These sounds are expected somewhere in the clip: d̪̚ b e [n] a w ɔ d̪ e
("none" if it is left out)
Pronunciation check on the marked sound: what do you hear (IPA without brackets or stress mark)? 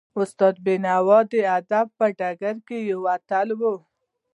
n